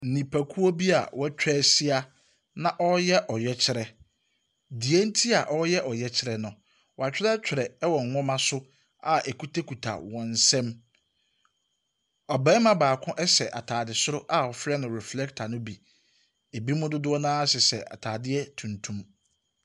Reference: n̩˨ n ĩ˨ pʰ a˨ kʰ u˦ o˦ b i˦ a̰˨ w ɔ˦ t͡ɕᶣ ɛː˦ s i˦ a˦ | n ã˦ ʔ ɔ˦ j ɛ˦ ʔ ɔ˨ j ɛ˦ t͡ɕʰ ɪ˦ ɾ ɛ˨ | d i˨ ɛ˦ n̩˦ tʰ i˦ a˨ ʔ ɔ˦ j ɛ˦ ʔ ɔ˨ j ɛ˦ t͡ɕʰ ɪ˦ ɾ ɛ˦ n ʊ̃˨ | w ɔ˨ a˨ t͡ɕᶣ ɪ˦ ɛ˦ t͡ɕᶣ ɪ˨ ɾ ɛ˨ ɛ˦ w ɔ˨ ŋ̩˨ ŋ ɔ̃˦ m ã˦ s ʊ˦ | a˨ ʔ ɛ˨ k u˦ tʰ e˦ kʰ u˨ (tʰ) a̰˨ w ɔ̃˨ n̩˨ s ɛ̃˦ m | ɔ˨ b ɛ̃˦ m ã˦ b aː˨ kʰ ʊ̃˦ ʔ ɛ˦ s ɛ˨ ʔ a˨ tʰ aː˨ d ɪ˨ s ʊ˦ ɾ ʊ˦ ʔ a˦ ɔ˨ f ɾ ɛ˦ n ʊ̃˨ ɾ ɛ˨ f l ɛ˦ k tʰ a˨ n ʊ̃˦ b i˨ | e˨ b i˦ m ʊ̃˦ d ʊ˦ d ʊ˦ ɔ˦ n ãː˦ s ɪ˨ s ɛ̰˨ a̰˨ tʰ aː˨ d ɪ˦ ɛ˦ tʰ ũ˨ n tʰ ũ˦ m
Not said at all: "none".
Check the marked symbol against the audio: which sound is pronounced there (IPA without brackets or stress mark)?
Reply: tʰ